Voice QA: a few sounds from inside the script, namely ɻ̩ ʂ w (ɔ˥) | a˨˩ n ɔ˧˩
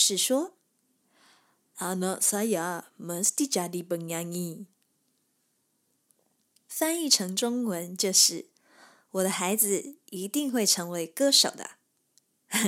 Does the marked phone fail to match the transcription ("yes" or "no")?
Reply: no